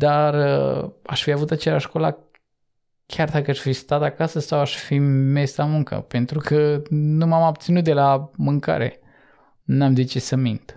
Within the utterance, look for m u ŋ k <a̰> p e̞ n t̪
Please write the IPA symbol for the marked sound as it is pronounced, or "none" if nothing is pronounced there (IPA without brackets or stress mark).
ə̰